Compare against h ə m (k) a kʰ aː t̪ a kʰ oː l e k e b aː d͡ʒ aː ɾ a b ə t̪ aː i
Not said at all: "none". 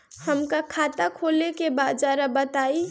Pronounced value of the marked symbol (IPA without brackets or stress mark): k